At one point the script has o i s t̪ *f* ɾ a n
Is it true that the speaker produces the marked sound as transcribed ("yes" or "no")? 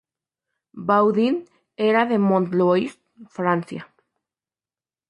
yes